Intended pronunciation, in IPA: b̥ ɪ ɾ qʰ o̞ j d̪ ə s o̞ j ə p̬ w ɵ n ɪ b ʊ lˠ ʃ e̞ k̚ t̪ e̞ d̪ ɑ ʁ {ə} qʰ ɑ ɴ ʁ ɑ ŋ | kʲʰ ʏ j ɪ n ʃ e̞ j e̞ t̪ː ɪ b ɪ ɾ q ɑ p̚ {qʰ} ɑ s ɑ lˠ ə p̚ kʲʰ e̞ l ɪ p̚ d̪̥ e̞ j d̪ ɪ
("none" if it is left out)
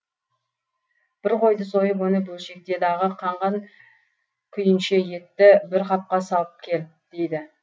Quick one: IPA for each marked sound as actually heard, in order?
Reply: ə, q

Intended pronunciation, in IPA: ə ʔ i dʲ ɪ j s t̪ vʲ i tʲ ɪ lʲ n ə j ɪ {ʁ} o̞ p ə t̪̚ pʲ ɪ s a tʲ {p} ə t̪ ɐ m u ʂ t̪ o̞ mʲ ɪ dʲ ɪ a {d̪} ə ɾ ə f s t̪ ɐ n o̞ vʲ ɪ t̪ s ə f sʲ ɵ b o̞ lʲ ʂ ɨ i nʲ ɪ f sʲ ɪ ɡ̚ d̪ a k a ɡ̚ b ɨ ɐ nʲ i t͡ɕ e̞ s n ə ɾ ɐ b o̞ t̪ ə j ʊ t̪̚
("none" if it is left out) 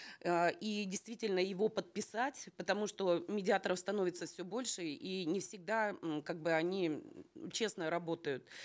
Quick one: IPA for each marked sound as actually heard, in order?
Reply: v, p, t̪

